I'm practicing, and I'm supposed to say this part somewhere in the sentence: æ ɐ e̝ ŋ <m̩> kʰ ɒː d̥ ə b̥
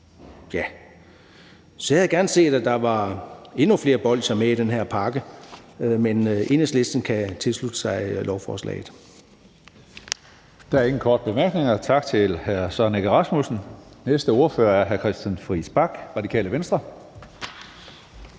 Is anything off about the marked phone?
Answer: yes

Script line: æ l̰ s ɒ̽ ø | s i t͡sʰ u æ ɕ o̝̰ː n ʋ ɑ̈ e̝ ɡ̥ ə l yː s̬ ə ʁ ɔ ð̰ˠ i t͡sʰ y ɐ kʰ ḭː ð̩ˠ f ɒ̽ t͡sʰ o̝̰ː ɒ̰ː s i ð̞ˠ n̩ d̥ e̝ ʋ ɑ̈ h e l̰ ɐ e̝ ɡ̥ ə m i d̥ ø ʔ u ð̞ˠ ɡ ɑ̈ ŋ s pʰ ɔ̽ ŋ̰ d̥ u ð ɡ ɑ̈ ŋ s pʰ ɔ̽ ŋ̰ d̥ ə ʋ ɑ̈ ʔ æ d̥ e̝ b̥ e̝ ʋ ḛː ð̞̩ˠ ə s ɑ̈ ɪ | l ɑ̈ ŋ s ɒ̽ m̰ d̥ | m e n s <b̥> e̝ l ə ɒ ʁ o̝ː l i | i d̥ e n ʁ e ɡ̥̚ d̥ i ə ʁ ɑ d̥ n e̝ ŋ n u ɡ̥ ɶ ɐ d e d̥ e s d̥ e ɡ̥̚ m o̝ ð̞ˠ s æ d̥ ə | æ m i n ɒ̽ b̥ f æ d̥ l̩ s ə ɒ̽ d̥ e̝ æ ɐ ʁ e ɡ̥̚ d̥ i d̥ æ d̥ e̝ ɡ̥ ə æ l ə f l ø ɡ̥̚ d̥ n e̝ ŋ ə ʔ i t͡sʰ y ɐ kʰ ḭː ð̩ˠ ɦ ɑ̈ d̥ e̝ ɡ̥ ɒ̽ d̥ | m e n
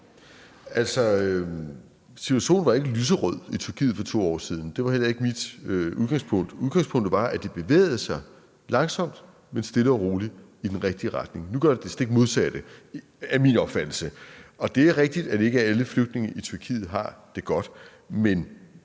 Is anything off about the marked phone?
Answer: yes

